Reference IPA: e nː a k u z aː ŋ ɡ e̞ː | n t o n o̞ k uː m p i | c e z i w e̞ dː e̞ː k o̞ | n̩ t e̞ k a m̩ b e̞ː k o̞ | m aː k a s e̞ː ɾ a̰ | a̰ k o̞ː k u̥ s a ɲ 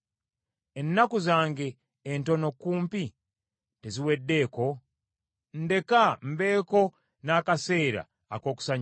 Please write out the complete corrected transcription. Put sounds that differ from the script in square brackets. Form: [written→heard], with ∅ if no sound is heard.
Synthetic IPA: e nː a k u z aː ŋ ɡ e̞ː | n t o n o̞ k uː m p i | [c→t] e z i w e̞ dː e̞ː k o̞ | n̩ [t→d] e̞ k a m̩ b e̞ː k o̞ | [m→n] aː k a s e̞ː ɾ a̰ | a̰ k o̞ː k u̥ s a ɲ